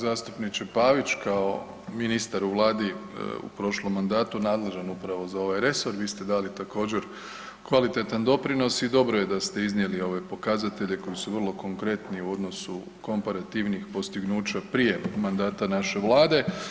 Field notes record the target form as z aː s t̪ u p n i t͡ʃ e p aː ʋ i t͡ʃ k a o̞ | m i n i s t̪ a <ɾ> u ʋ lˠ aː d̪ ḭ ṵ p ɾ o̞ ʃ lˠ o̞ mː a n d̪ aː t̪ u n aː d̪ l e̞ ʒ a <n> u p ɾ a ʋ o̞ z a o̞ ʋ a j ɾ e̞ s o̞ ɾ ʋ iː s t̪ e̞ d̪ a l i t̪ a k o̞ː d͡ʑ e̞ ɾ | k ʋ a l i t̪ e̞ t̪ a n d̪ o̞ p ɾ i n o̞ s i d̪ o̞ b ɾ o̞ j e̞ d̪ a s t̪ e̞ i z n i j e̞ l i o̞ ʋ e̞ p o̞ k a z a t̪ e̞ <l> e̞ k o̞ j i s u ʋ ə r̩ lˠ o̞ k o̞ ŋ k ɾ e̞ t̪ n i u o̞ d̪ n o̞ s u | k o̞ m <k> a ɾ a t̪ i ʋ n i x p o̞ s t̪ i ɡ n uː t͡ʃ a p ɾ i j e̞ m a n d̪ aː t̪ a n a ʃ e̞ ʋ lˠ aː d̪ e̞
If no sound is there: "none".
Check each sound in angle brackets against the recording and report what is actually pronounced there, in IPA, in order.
ɾ, n, ʎ, p

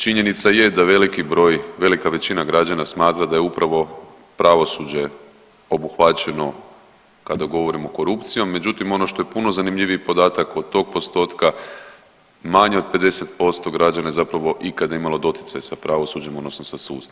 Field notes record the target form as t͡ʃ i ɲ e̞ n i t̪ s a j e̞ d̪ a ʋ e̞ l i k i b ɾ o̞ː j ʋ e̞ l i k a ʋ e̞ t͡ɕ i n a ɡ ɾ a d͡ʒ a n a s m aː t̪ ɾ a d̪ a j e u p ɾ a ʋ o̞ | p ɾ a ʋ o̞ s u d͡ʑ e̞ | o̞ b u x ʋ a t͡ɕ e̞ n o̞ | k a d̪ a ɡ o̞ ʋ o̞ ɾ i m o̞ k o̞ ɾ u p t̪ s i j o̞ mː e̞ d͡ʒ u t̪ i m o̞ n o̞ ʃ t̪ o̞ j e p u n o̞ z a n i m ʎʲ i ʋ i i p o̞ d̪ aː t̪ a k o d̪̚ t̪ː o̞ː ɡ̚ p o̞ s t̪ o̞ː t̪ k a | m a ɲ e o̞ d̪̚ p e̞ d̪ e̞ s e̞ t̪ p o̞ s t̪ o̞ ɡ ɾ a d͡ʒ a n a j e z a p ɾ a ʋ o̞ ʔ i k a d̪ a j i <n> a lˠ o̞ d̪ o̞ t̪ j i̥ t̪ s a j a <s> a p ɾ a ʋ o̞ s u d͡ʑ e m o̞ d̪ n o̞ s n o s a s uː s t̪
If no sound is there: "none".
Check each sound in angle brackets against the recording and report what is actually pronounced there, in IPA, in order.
m, s

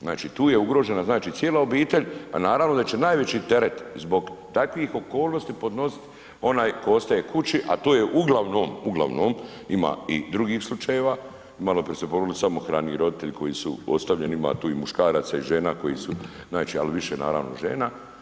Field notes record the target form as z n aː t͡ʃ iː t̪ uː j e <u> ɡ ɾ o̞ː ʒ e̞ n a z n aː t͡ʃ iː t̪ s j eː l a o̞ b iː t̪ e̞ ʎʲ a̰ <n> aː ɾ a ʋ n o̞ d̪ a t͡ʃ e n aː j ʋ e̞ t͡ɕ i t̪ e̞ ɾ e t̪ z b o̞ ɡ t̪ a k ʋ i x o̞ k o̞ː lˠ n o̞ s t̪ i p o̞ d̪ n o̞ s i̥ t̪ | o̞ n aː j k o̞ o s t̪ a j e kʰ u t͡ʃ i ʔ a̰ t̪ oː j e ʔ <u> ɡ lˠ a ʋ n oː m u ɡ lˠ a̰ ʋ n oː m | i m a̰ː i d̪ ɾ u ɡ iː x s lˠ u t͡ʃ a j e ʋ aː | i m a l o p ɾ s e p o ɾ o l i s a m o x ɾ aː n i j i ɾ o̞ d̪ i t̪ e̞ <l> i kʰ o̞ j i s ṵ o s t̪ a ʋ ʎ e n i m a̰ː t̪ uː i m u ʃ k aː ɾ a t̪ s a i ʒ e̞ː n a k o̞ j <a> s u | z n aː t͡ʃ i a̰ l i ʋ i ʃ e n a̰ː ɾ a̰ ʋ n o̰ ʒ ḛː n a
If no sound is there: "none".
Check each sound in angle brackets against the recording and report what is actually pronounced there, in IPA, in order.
u, n, u, ʎ, i

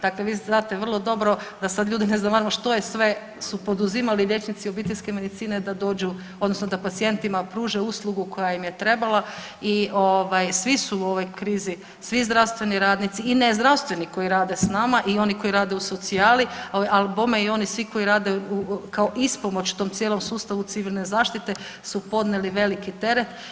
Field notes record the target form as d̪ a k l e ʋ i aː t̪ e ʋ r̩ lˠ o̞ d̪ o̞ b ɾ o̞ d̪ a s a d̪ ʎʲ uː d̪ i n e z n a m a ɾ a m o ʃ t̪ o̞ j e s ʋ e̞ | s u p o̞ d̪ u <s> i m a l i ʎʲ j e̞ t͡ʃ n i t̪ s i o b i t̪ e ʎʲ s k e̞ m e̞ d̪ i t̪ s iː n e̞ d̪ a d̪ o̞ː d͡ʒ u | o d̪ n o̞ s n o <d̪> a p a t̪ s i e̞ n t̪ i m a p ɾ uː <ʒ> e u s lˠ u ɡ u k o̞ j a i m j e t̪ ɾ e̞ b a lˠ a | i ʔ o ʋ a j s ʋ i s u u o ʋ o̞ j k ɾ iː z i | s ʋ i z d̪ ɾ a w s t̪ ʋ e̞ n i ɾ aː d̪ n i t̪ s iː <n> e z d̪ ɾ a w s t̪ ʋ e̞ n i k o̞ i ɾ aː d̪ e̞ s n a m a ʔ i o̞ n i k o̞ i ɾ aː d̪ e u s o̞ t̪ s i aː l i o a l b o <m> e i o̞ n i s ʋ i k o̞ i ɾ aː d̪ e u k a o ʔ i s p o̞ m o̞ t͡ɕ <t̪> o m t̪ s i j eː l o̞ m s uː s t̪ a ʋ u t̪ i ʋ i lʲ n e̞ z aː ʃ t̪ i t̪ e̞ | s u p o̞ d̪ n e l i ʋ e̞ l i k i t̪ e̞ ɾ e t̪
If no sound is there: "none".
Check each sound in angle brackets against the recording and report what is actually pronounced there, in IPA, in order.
z, d̪, ʒ, n, m, t̪

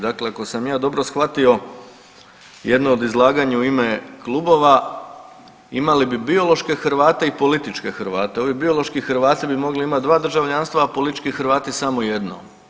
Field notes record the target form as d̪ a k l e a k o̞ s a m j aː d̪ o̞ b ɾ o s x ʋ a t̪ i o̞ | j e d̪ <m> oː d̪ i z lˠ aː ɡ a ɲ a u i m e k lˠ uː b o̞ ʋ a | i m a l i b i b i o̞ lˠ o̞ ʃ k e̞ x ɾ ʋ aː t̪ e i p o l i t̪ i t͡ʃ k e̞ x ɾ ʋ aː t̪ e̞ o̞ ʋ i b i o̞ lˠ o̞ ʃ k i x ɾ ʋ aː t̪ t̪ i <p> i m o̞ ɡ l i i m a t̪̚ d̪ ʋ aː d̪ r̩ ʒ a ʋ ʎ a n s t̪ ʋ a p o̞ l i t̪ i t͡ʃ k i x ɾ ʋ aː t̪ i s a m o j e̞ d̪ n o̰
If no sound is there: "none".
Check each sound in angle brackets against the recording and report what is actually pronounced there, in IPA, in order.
n, b

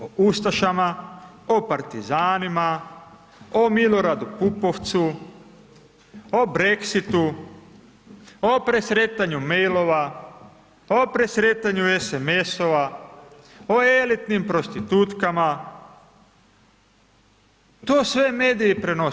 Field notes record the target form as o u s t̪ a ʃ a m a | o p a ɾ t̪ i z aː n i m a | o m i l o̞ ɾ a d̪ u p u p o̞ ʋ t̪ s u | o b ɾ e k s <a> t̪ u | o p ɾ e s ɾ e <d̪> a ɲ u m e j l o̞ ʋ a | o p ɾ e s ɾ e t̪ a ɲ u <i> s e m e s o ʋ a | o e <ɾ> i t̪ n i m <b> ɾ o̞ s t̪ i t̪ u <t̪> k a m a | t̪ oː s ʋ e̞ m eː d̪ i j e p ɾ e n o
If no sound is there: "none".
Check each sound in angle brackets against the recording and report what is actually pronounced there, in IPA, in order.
i, t̪, e, l, p, t̪

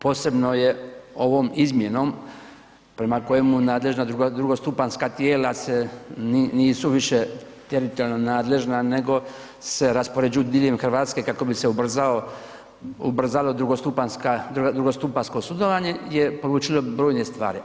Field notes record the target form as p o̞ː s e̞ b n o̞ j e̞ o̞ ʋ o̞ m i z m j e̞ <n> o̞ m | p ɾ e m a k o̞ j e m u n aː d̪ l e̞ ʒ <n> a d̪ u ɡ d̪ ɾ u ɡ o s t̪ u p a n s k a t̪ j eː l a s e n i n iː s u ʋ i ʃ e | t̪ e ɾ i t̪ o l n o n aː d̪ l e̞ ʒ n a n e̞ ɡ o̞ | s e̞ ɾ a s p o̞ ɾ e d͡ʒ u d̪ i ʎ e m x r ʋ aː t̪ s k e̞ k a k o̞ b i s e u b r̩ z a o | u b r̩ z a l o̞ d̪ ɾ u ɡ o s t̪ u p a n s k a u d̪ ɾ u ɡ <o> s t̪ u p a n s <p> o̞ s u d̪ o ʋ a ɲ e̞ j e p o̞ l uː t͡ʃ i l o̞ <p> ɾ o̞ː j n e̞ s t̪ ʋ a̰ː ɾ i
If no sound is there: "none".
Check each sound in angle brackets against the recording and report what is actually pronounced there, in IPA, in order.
n, n, o, k, b

